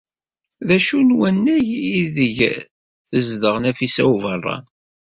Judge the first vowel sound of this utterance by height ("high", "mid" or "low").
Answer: low